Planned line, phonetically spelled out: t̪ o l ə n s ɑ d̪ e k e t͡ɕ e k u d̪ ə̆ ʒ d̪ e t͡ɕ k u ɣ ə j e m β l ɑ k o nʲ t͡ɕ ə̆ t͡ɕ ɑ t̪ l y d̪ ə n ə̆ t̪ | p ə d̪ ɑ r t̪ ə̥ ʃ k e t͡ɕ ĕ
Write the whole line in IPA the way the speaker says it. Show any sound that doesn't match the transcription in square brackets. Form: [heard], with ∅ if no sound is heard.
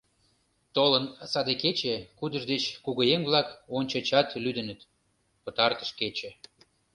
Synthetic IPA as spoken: t̪ o l ə n s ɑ d̪ e k e t͡ɕ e k u d̪ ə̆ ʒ d̪ e t͡ɕ k u ɣ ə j e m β l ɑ k o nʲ t͡ɕ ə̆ t͡ɕ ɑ t̪ l y d̪ ə n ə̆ t̪ | p ə [t̪] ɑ r t̪ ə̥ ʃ k e t͡ɕ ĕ